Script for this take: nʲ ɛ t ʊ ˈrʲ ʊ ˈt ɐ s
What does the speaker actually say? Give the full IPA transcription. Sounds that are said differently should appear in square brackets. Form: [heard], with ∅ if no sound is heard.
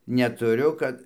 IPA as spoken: nʲ ɛ t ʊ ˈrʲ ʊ [ˈk] ɐ [t]